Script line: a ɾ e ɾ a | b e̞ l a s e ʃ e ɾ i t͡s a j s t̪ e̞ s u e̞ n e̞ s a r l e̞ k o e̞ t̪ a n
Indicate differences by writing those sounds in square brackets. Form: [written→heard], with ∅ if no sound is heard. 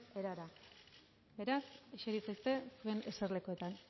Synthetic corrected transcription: [a→e] ɾ [e→a] ɾ a | b e̞ [l→ɾ] a s e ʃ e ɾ i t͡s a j s t̪ e̞ s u e̞ n e̞ s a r l e̞ k o e̞ t̪ a n